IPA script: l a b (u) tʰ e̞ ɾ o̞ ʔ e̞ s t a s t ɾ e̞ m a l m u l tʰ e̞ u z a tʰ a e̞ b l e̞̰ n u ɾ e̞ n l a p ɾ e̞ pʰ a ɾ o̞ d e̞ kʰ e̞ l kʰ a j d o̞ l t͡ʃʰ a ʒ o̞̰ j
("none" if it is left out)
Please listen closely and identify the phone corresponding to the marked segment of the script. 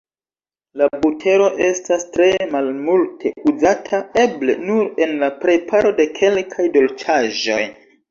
u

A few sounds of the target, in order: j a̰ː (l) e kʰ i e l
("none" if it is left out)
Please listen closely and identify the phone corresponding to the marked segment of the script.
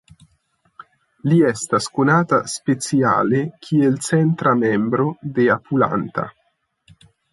l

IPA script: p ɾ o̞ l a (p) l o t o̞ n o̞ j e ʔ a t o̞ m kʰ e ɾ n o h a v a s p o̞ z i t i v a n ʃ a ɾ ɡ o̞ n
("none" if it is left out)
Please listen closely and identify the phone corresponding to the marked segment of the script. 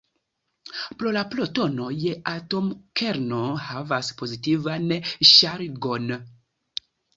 p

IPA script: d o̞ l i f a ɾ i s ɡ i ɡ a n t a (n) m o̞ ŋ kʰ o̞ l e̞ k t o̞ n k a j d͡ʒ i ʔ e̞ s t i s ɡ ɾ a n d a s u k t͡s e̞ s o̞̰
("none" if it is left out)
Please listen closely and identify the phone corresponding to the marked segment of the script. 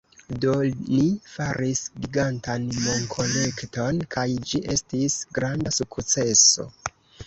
n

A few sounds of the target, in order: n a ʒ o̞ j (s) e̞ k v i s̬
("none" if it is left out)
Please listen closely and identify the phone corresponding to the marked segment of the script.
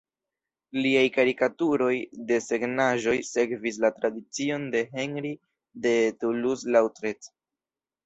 s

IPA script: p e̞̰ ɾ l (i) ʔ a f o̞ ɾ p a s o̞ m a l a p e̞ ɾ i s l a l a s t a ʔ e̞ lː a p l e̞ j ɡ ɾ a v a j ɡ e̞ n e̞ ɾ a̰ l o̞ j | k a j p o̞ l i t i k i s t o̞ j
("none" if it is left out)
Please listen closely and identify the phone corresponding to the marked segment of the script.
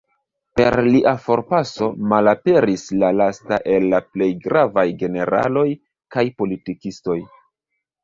i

